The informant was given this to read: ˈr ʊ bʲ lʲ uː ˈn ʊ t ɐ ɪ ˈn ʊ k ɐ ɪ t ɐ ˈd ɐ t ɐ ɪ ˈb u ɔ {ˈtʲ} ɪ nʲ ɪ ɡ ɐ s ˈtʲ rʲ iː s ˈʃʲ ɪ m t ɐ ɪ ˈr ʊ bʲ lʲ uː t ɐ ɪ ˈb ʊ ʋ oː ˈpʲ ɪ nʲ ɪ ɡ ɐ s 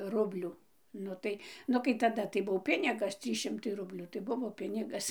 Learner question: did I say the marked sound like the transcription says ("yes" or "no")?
no